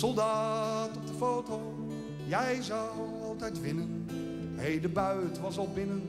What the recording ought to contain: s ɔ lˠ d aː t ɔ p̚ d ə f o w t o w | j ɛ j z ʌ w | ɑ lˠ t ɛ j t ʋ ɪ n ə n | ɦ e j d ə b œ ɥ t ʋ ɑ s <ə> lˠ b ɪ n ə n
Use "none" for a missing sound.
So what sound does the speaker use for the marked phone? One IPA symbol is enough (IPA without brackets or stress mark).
ɑ